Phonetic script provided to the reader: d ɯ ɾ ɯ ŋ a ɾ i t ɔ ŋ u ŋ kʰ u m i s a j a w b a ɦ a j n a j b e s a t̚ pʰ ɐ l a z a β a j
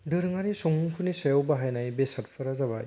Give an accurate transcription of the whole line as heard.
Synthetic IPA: d ɯ ɾ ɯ ŋ a ɾ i s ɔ ŋ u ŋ kʰ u n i s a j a w b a ɦ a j n a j b e s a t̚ pʰ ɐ ɾ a z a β a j